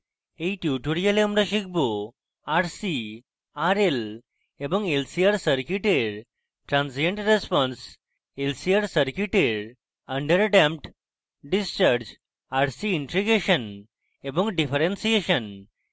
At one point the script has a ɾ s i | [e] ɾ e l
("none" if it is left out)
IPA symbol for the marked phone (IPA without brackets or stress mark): a